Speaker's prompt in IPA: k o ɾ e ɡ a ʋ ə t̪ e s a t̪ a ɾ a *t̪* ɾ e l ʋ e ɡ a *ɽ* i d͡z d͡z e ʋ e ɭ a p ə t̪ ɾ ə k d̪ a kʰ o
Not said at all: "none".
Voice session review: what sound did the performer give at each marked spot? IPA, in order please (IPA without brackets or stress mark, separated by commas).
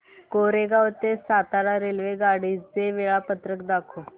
none, ɽ